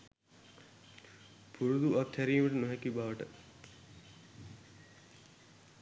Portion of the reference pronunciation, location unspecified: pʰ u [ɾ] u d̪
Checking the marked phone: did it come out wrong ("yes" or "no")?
no